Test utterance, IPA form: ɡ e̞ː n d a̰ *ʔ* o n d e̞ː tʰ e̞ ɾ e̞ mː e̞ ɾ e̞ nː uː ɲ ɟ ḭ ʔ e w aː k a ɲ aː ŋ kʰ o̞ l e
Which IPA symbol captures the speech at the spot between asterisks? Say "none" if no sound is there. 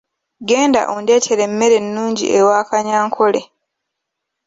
ʔ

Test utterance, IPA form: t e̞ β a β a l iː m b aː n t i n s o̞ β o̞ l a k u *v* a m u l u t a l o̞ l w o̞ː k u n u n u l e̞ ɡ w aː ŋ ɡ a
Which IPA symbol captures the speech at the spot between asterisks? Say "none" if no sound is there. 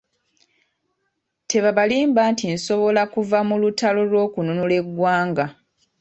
v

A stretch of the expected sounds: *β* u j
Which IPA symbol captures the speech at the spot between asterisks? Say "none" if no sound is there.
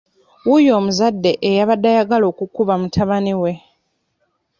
w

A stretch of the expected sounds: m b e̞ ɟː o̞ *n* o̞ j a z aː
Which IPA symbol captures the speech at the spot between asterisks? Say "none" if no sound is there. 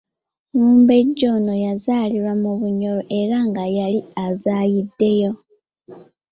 n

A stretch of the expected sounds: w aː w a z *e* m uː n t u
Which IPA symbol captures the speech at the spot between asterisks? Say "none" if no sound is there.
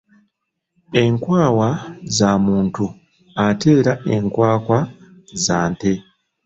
a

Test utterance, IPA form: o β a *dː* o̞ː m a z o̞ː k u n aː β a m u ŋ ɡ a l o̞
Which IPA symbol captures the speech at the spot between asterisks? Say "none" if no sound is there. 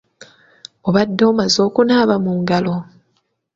dː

